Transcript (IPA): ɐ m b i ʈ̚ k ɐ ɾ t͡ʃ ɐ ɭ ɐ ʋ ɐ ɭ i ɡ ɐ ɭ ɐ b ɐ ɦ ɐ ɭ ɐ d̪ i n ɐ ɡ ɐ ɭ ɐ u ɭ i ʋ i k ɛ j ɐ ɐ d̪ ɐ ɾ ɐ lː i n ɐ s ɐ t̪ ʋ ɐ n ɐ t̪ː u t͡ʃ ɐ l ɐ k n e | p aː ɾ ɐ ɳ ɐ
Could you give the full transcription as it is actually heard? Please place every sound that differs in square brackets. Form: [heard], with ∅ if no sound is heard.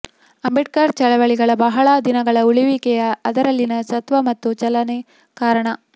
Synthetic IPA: ɐ m b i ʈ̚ k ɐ ɾ t͡ʃ ɐ ɭ ɐ ʋ ɐ ɭ i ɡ ɐ ɭ ɐ b ɐ ɦ ɐ ɭ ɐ d̪ i n ɐ ɡ ɐ ɭ ɐ u ɭ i ʋ i k ɛ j ɐ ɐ d̪ ɐ ɾ ɐ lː i n ɐ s ɐ t̪ ʋ ɐ [m] ɐ t̪ː u t͡ʃ ɐ l ɐ [∅] n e | [k] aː ɾ ɐ ɳ ɐ